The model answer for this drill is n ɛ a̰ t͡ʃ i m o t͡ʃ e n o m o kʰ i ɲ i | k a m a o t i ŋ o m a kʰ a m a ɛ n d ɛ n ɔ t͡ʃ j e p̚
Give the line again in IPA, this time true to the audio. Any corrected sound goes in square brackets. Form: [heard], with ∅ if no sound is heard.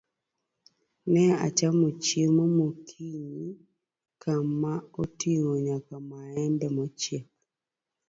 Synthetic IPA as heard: n ɛ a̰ t͡ʃ [a] m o t͡ʃ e [m] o m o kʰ i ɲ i | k a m a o t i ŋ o [ɲ] a [k] a m a ɛ n d ɛ [m] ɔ t͡ʃ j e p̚

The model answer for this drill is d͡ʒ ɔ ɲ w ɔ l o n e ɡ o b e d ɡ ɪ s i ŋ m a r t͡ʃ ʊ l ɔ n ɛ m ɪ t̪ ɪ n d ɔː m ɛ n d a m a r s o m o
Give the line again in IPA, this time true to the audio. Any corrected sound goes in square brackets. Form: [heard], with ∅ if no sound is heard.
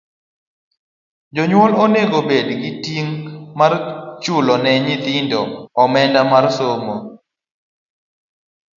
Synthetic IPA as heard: d͡ʒ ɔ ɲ w ɔ l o n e ɡ o b e d ɡ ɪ [t] i ŋ m a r t͡ʃ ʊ l ɔ n ɛ [ɲ] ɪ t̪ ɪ n d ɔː m ɛ n d a m a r s o m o

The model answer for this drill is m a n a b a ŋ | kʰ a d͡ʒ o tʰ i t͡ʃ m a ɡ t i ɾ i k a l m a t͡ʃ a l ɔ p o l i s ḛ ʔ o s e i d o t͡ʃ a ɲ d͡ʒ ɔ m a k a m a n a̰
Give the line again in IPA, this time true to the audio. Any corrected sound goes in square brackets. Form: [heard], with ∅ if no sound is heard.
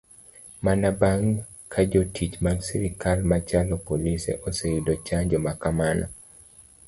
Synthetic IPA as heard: m a n a b a ŋ | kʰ a d͡ʒ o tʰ i t͡ʃ m a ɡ [s] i ɾ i k a l m a t͡ʃ a l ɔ p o l i s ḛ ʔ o s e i d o t͡ʃ a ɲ d͡ʒ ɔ m a k a m a n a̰

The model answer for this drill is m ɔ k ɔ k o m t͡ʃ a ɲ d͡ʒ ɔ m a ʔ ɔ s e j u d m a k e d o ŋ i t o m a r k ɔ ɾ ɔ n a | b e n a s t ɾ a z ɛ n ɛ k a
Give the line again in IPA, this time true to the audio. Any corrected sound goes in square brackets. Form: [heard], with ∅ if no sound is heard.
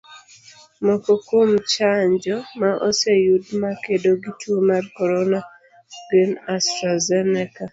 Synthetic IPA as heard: m ɔ k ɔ k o m t͡ʃ a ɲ d͡ʒ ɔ m a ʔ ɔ s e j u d m a k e d o [ɡ] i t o m a r k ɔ ɾ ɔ n a | [ɡ] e n a s t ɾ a z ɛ n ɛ k a

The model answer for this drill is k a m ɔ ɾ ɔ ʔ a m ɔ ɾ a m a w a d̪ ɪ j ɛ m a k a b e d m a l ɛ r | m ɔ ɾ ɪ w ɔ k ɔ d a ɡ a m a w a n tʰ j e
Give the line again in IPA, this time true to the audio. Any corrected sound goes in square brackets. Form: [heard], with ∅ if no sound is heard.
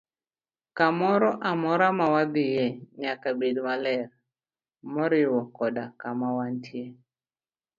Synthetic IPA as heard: k a m ɔ ɾ ɔ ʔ a m ɔ ɾ a m a w a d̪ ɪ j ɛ [ɲ] a k a b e d m a l ɛ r | m ɔ ɾ ɪ w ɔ k ɔ d a [k] a m a w a n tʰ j e

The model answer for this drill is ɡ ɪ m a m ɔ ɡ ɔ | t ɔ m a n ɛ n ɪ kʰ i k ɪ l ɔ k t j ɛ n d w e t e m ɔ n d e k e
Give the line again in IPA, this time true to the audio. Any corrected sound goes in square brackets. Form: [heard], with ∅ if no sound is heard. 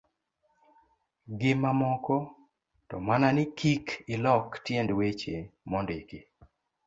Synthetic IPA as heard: ɡ ɪ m a m ɔ [k] ɔ | t ɔ m a n [a] n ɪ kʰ i k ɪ l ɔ k t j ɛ n d w e [t͡ʃ] e m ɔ n d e k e

